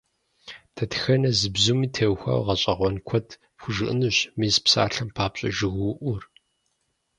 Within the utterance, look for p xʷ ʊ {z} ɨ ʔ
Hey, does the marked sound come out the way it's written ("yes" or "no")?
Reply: no